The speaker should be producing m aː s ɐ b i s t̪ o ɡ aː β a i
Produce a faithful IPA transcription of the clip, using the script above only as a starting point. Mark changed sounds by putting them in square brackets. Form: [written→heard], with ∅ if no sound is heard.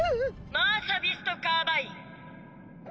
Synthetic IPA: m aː s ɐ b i s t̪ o [ɡ→k] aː [β→b] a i

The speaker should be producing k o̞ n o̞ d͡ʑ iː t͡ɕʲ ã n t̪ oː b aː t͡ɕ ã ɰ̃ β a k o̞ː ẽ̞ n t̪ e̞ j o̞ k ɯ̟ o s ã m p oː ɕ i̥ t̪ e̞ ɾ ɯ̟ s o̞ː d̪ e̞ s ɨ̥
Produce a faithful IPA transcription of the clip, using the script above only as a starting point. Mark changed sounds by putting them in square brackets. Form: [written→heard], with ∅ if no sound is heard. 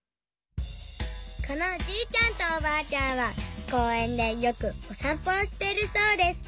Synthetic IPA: k o̞ n o̞ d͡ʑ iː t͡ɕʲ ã n t̪ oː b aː t͡ɕ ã ɰ̃ β a k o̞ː ẽ̞ n [t̪→d̪] e̞ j o̞ k ɯ̟ o s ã m p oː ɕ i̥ t̪ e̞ ɾ ɯ̟ s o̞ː d̪ e̞ s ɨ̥

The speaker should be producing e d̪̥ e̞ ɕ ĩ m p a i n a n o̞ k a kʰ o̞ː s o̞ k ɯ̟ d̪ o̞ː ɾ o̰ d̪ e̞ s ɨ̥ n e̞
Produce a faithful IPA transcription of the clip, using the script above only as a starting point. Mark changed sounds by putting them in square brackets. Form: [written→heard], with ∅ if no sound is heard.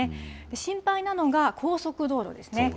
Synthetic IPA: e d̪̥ e̞ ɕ ĩ m p a i n a n o̞ [k→ɡ] a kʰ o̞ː s o̞ k ɯ̟ d̪ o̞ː ɾ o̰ d̪ e̞ s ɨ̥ n e̞

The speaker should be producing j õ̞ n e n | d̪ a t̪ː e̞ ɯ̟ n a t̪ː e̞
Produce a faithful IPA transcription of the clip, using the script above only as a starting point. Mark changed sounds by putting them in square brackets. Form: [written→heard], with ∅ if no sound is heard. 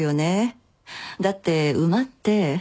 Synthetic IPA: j [õ̞→o̞] n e [n→∅] | d̪ a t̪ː e̞ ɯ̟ [n→m] a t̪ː e̞

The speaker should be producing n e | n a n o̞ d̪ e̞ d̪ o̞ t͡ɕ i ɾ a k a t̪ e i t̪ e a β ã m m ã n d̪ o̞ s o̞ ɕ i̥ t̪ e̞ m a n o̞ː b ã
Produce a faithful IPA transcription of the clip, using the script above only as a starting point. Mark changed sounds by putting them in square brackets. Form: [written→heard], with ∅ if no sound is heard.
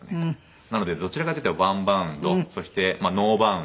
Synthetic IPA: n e | n a n o̞ d̪ e̞ d̪ o̞ t͡ɕ i ɾ a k a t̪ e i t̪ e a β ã m [m→b] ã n d̪ o̞ s o̞ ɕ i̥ t̪ e̞ m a n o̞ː b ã

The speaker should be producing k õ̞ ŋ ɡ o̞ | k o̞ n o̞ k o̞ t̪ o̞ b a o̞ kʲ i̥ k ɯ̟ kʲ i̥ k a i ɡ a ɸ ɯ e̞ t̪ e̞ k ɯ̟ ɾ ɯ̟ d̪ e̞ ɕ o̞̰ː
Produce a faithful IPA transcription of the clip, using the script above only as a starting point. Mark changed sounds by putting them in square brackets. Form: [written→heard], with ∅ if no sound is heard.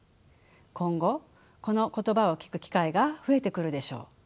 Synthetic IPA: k õ̞ ŋ ɡ o̞ | k o̞ n o̞ k o̞ t̪ o̞ b a o̞ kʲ i̥ k ɯ̟ kʲ i̥ k a i ɡ a ɸ ɯ e̞ t̪ e̞ k ɯ̟ ɾ ɯ̟ d̪ e̞ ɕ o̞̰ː

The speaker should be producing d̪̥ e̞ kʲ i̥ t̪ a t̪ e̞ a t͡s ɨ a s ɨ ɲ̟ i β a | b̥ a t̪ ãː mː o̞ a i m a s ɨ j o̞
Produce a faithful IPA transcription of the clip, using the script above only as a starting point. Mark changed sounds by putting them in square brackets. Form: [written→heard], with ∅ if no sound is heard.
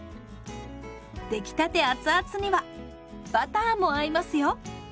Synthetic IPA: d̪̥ e̞ kʲ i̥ t̪ a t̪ e̞ a t͡s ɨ a [s→t͡s] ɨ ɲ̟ i β a | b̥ a t̪ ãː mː o̞ a i m a s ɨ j o̞

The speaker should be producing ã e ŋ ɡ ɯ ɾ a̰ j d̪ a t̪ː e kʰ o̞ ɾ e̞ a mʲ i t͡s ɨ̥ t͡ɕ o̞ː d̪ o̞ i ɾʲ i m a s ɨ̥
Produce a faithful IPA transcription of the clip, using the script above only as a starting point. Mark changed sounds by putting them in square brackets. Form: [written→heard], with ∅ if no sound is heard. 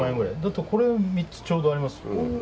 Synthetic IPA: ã e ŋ ɡ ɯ ɾ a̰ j d̪ a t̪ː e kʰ o̞ ɾ e̞ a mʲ i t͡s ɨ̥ t͡ɕ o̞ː d̪ o̞ [i→a] ɾʲ i m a s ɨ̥

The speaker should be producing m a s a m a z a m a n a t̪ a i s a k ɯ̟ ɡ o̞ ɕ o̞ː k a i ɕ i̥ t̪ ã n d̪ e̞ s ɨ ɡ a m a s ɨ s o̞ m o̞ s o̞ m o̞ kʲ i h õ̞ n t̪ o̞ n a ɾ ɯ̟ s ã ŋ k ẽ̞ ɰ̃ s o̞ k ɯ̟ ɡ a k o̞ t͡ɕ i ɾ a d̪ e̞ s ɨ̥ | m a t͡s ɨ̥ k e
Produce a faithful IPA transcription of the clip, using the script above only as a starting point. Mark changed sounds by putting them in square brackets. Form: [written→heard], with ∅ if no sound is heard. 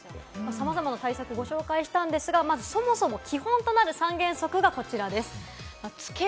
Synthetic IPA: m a s a m a z a m a n a t̪ a i s a k ɯ̟ ɡ o̞ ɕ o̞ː k a i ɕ i̥ t̪ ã n d̪ e̞ s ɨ ɡ a m a [s→z] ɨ s o̞ m o̞ s o̞ m o̞ kʲ i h õ̞ n t̪ o̞ n a ɾ ɯ̟ s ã ŋ [k→ɡ] ẽ̞ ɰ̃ s o̞ k ɯ̟ ɡ a k o̞ t͡ɕ i ɾ a d̪ e̞ s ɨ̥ | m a t͡s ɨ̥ k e

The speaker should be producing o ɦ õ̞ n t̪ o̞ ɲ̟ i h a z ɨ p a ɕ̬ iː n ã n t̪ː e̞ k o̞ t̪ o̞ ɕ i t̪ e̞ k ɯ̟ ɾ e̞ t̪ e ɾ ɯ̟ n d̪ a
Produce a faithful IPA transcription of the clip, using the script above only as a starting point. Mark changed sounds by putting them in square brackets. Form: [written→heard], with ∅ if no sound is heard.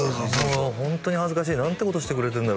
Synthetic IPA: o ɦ õ̞ n t̪ o̞ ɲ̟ i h a z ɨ [p→k] a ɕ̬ iː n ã n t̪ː e̞ k o̞ t̪ o̞ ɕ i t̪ e̞ k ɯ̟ ɾ e̞ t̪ e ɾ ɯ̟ n d̪ a

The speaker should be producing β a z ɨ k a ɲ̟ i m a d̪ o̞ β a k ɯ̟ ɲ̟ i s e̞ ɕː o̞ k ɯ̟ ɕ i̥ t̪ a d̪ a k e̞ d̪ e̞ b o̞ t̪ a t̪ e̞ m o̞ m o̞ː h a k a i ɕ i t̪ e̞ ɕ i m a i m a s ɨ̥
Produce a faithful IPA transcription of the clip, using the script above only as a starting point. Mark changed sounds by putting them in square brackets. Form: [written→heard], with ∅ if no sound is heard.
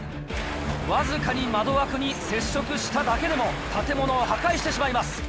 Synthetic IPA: β a z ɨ k a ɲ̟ i m a d̪ o̞ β a k ɯ̟ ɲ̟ i s e̞ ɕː o̞ k ɯ̟ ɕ i̥ t̪ a d̪ a k e̞ d̪ e̞ [b→m] o̞ t̪ a t̪ e̞ m o̞ [m→n] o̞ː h a k a i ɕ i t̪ e̞ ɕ i m a i m a s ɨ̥

